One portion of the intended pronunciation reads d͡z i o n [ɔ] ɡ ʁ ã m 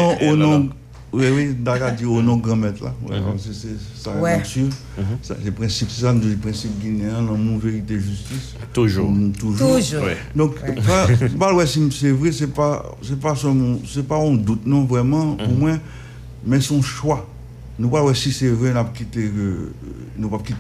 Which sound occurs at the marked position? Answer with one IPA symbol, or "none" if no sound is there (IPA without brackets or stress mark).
ɔ̃